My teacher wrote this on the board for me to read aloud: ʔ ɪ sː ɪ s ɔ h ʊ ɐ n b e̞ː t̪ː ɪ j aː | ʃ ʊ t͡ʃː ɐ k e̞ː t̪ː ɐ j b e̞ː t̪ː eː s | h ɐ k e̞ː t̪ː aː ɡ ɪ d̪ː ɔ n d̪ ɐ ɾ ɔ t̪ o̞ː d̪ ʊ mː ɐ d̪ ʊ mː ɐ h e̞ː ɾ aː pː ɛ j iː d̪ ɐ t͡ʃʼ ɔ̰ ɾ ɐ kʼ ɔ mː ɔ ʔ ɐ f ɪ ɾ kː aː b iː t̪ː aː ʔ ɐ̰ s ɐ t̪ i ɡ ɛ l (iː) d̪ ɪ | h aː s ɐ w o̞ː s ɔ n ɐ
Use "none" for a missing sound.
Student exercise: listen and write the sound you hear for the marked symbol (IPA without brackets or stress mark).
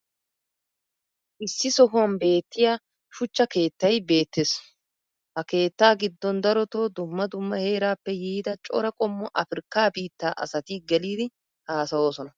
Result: iː